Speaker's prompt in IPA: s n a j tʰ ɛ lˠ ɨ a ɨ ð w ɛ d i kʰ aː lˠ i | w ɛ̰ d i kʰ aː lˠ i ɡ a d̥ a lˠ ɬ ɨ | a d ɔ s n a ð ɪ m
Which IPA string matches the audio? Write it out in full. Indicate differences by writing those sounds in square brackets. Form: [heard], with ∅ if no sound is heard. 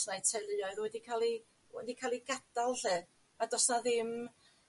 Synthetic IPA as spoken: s n a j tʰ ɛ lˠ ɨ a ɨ ð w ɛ d i kʰ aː lˠ i | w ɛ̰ d i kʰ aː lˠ i ɡ a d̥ a lˠ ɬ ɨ | a d ɔ s n a ð ɪ m